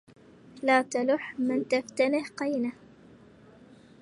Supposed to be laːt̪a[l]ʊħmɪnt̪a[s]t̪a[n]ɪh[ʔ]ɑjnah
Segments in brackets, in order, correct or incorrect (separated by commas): correct, incorrect, correct, incorrect